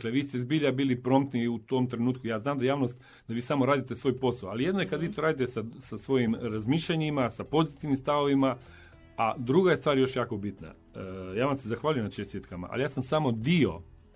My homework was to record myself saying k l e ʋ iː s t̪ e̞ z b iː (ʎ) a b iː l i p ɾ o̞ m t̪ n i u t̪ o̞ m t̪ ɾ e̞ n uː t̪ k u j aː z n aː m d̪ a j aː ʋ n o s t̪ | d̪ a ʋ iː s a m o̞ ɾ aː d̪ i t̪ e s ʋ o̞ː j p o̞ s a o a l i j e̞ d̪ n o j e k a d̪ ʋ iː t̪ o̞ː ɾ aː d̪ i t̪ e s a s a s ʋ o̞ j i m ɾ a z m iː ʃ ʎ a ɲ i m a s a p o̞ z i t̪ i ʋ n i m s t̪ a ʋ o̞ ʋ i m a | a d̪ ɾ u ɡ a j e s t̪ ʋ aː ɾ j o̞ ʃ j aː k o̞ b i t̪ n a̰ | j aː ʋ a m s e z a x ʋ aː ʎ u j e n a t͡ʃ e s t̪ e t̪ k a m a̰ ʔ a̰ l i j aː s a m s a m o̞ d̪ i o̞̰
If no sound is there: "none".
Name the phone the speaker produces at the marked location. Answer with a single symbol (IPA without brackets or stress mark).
ʎ